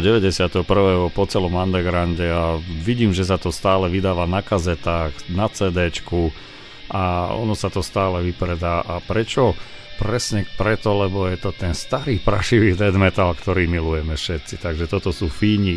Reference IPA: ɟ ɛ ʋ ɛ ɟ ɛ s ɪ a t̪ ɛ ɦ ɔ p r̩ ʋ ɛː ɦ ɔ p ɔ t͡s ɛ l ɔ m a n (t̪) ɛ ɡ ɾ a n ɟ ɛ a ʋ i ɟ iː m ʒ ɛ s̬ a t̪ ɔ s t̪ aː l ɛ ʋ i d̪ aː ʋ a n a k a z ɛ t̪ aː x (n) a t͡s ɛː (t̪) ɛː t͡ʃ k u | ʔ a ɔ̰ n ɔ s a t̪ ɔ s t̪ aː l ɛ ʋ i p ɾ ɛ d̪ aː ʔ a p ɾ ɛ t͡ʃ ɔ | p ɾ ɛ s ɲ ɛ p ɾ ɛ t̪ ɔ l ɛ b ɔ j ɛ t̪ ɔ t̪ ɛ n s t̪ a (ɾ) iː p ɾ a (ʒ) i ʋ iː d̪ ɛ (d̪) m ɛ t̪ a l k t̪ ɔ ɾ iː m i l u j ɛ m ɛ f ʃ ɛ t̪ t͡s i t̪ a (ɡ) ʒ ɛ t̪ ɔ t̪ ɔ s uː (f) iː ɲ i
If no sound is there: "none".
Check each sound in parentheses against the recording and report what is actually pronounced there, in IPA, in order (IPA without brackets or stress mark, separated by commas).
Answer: d̪, n, d̪, ɾ, ʃ, d̪, ɡ, f